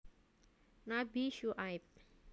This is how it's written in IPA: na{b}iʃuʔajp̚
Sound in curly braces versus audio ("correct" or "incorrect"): correct